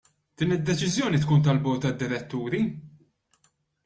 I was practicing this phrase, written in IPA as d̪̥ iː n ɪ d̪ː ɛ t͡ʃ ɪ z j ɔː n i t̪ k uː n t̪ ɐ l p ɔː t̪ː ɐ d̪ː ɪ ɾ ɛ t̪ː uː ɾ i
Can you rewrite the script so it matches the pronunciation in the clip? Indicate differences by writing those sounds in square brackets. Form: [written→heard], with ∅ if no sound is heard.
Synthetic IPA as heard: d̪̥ iː n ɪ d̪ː ɛ t͡ʃ ɪ z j ɔː n i t̪ k uː n t̪ ɐ l [p→b] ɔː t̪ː ɐ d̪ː ɪ ɾ ɛ t̪ː uː ɾ i